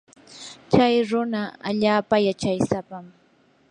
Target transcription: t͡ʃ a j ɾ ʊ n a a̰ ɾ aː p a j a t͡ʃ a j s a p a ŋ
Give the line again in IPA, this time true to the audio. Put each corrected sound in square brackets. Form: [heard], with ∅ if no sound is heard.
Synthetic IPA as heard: t͡ʃ a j ɾ ʊ n a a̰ [ʎ] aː p a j a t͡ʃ a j s a p a [m]